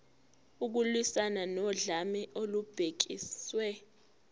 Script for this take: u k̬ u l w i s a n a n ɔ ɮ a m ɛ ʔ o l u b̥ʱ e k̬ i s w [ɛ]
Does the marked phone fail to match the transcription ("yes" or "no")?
no